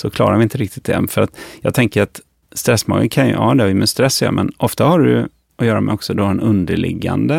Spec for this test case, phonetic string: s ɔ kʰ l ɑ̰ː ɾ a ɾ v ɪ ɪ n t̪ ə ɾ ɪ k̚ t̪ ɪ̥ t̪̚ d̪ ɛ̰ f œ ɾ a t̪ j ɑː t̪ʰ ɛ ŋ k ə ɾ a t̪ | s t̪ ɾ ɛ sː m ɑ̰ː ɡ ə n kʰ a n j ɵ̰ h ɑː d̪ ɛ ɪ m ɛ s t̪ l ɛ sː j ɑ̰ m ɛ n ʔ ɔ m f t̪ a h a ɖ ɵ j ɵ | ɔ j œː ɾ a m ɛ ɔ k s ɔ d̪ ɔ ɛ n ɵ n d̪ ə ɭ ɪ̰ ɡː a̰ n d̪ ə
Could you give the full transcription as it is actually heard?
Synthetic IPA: s ɔ kʰ l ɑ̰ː ɾ a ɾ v ɪ ɪ n t̪ ə ɾ ɪ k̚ t̪ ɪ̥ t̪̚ d̪ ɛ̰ f œ ɾ a t̪ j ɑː t̪ʰ ɛ ŋ k ə ɾ a t̪ | s t̪ ɾ ɛ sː m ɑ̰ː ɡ ə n kʰ a n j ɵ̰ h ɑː d̪ ɛ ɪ m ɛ s t̪ ɾ ɛ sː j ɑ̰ m ɛ n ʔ ɔ f t̪ a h a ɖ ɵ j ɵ | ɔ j œː ɾ a m ɛ ɔ k s ɔ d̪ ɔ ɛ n ɵ n d̪ ə ɭ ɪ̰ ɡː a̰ n d̪ ə